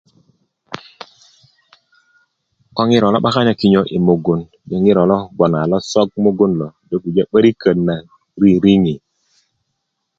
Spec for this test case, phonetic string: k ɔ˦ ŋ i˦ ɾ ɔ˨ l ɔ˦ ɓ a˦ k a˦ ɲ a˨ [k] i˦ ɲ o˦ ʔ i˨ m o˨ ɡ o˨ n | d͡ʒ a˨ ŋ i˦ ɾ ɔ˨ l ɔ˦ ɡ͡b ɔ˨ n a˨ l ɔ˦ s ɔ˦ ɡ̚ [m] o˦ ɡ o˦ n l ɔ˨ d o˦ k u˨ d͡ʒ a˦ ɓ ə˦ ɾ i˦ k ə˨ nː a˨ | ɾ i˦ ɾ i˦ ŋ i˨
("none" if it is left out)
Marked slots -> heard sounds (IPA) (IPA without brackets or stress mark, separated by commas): k, m